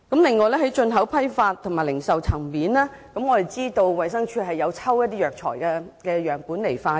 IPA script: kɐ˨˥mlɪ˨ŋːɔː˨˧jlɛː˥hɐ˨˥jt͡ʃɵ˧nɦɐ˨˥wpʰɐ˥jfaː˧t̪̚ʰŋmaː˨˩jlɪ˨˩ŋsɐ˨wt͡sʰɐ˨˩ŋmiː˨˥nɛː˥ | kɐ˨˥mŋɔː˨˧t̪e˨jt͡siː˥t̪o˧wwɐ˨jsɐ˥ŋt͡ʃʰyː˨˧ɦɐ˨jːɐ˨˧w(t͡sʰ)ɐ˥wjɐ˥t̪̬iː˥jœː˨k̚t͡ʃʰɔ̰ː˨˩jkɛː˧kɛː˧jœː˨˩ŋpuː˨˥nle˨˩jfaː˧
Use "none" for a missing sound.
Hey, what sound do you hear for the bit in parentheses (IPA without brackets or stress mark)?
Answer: t͡sʰ